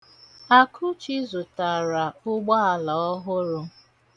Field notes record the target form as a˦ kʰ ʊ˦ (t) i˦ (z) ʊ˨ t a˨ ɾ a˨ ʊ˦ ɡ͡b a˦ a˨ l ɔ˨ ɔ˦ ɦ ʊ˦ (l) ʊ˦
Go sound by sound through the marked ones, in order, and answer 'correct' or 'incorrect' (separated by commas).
incorrect, correct, incorrect